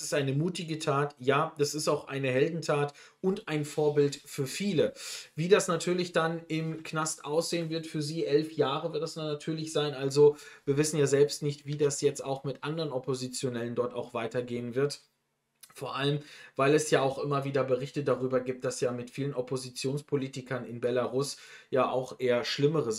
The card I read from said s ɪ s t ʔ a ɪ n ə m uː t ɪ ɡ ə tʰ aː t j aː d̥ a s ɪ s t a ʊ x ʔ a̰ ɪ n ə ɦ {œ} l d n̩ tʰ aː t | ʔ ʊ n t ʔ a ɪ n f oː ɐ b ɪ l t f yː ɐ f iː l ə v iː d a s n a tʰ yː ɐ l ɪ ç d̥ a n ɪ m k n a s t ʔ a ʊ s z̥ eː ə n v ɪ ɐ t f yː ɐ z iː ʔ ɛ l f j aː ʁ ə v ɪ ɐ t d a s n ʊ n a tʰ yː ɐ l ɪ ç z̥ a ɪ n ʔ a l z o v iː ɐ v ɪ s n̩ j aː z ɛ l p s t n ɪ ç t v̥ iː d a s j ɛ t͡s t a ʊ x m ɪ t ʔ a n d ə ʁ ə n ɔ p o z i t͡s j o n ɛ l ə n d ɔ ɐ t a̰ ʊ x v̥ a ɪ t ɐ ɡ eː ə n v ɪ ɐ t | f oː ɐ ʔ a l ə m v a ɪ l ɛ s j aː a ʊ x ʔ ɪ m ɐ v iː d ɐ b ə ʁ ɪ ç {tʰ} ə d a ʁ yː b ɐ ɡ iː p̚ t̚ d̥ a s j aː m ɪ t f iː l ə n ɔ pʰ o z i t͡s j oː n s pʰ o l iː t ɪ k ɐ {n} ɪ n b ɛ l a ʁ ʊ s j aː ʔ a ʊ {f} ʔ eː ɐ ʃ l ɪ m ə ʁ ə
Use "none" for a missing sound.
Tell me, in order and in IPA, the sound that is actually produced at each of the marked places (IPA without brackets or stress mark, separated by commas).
ɛ, t, n, x